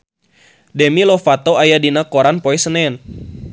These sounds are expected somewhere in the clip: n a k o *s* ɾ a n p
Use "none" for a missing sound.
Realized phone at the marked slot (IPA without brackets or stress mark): none